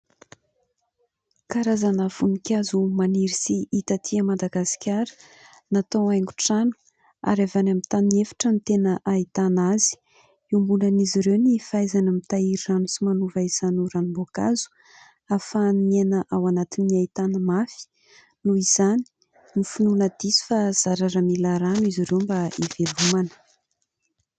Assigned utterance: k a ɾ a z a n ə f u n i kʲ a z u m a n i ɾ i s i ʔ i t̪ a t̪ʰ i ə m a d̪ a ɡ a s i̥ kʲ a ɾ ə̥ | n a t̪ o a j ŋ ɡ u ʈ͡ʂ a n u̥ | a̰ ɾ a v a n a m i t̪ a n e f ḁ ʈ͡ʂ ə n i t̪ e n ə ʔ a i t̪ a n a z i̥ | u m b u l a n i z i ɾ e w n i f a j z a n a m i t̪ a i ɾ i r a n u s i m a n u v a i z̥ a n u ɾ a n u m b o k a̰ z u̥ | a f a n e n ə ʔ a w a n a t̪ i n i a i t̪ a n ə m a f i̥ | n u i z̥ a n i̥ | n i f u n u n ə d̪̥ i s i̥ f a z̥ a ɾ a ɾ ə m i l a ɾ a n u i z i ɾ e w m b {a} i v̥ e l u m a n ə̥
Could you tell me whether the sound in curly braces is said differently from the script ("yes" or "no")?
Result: no